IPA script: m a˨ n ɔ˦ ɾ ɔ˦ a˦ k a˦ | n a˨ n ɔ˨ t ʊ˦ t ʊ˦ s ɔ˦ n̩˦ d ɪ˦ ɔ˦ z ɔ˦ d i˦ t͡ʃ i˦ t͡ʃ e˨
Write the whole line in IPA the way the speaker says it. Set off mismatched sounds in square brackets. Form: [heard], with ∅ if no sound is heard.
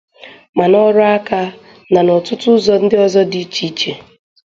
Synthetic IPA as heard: m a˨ n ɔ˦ ɾ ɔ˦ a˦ k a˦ | n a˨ n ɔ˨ t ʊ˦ t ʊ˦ [z] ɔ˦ n̩˦ d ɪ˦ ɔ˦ z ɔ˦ d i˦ t͡ʃ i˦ t͡ʃ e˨